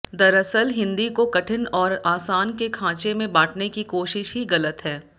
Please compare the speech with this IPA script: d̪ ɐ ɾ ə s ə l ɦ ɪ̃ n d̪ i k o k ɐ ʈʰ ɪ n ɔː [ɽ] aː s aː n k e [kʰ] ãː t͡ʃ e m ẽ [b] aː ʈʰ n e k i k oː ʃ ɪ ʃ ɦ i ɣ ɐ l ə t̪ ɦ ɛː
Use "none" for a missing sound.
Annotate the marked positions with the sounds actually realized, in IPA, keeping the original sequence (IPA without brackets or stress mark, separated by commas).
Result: ɾ, kʰ, b